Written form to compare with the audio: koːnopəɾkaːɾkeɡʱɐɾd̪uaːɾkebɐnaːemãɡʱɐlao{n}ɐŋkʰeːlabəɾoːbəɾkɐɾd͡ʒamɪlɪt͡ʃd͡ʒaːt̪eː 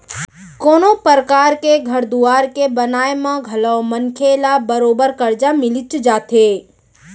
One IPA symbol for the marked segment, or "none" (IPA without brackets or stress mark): m